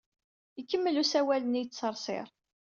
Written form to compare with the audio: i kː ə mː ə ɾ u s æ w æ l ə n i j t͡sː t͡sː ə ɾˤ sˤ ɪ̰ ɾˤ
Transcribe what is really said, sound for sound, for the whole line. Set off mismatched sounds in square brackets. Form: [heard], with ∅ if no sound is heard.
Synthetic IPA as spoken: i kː ə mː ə [l] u s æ w æ l ə n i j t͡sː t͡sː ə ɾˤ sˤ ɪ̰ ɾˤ